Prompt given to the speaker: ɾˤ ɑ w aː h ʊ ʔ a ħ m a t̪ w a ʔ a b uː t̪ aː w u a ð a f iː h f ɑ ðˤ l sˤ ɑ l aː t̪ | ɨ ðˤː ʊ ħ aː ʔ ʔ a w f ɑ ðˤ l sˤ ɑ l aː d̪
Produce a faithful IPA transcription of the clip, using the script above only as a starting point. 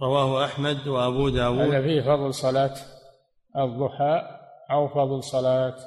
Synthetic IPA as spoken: ɾˤ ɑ w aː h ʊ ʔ a ħ m a d̪ w a ʔ a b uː d̪ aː w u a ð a f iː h f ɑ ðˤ l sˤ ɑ l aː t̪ | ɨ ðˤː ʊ ħ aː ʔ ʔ a w f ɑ ðˤ l sˤ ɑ l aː t̪